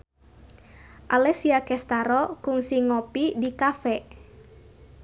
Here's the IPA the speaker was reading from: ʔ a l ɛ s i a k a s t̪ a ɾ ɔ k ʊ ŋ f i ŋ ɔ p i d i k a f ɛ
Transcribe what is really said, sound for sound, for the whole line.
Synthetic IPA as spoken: ʔ a l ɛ s i a k ɛ s t̪ a ɾ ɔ k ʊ ŋ s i ŋ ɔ p i d i k a f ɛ